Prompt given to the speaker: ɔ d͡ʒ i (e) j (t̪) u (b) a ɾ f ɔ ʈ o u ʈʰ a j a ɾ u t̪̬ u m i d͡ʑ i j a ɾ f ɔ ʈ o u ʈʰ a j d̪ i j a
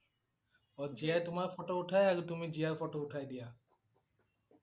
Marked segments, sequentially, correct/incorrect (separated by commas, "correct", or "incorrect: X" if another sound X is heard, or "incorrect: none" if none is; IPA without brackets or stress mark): incorrect: a, correct, incorrect: m